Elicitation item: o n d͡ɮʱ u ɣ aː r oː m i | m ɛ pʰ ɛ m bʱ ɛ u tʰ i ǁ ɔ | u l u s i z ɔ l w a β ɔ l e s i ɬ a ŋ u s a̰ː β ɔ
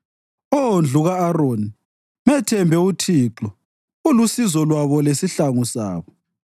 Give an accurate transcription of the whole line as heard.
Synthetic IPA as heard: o n d͡ɮʱ u ɣ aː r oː n i | m ɛ tʰ ɛ m bʱ ɛ u tʰ i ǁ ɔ | u l u s i z ɔ l w a β ɔ l e s i ɬ a ŋ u s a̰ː β ɔ